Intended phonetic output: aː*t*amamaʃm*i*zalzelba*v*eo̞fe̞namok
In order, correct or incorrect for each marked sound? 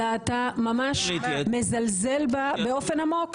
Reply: correct, incorrect, incorrect

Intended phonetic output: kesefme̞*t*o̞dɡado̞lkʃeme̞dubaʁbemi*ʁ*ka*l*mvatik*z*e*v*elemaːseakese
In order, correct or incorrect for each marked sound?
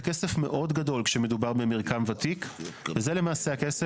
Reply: incorrect, correct, incorrect, incorrect, incorrect

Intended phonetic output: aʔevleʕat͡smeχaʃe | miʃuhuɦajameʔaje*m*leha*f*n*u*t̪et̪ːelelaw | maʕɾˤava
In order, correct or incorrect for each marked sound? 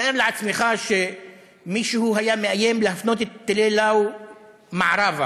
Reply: correct, correct, incorrect

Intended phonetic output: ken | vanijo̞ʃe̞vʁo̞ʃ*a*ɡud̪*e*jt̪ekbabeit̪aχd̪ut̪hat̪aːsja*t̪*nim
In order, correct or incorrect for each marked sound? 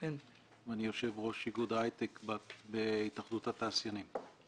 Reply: incorrect, incorrect, incorrect

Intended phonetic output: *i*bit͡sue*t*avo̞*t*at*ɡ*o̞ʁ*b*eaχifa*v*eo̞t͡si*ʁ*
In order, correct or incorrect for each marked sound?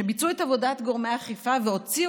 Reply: incorrect, correct, incorrect, correct, incorrect, correct, incorrect

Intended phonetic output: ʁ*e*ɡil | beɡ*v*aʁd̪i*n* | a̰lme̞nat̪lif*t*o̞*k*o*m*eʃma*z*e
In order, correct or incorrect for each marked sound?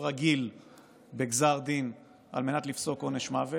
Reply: incorrect, incorrect, correct, incorrect, correct, incorrect, incorrect

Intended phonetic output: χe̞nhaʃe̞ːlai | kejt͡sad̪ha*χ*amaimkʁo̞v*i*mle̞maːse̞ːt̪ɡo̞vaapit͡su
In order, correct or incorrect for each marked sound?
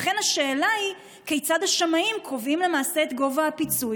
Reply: incorrect, correct

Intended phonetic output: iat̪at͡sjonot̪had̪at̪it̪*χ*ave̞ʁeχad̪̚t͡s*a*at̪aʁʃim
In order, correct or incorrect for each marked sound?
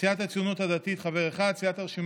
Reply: correct, incorrect

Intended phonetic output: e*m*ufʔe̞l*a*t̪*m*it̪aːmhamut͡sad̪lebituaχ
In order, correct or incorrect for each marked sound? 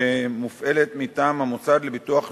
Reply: correct, incorrect, correct

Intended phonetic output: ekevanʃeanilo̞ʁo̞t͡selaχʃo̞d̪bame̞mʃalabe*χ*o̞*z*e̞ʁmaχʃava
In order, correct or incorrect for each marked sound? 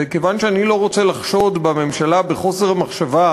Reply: correct, incorrect

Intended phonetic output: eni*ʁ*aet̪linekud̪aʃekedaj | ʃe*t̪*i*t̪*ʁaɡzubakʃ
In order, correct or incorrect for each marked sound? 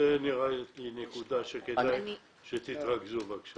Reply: correct, correct, correct

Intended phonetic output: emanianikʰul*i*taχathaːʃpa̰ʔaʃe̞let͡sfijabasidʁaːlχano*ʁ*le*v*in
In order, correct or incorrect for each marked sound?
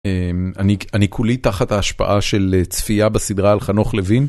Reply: correct, incorrect, correct

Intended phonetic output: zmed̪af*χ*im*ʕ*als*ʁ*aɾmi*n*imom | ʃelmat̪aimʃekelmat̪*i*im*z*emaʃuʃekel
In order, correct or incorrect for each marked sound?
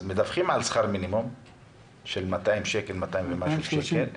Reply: correct, correct, incorrect, correct, incorrect, incorrect

